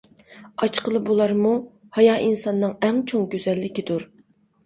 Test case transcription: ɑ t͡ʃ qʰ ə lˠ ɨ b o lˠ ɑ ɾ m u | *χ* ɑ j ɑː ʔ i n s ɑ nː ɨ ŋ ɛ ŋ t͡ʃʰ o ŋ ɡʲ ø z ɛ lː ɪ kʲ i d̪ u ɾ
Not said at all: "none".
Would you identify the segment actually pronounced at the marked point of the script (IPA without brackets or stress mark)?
h